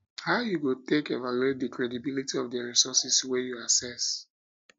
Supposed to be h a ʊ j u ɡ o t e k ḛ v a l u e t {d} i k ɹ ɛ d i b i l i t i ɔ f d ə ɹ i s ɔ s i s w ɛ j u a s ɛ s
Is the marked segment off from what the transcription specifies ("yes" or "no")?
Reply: no